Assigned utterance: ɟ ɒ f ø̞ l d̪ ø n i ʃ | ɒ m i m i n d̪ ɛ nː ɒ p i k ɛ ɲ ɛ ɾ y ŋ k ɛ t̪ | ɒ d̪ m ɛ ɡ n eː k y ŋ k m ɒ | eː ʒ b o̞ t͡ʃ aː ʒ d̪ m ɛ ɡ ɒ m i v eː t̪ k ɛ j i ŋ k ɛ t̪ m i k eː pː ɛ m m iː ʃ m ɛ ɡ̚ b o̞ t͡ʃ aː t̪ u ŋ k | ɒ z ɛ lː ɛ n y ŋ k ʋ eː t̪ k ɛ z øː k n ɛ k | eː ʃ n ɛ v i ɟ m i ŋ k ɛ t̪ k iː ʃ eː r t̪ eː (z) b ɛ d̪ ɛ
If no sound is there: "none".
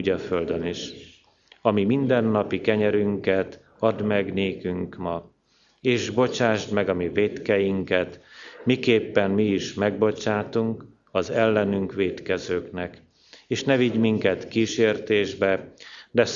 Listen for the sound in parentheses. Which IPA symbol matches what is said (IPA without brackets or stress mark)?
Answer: ʒ